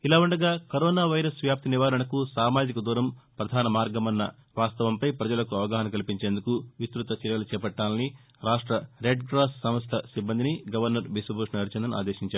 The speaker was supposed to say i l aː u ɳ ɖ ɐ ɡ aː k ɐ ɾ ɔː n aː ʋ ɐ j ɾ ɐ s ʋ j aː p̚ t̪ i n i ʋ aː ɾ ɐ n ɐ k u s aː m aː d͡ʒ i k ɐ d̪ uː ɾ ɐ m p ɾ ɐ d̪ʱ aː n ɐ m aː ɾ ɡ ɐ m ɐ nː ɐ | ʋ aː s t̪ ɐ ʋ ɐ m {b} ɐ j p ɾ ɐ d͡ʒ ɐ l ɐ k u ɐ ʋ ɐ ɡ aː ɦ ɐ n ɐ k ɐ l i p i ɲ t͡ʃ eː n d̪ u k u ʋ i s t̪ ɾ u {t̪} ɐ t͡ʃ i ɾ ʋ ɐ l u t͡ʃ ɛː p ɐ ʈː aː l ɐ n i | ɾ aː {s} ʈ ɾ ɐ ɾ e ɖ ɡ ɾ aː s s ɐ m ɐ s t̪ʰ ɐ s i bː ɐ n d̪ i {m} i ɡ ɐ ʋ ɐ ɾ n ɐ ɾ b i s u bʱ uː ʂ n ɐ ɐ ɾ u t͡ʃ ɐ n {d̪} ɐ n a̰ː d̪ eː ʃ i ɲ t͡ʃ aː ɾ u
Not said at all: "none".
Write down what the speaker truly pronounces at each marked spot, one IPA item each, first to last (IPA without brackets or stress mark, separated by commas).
p, t̪, ʂ, n, d̪